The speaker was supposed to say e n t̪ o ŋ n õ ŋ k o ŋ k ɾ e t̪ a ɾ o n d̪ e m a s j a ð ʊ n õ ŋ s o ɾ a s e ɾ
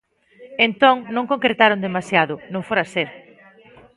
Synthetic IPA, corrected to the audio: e n t̪ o ŋ n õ ŋ k o ŋ k ɾ e t̪ a ɾ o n d̪ e m a s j a ð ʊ n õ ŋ f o ɾ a s e ɾ